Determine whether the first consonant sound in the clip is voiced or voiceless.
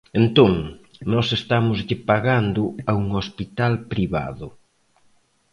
voiced